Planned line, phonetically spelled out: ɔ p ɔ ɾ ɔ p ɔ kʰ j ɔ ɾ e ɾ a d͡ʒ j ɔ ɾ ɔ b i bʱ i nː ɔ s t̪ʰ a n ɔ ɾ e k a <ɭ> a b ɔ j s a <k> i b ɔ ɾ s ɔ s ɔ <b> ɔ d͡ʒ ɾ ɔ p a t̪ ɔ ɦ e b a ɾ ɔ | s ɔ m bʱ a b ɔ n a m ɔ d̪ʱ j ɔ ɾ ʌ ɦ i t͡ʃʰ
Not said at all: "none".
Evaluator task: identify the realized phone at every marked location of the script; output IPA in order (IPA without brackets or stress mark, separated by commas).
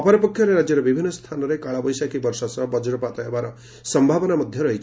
ɭ, k, b